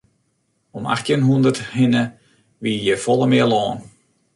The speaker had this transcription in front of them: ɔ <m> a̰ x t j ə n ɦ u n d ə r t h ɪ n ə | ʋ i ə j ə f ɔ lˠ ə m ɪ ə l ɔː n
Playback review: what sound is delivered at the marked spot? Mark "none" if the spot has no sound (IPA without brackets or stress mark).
m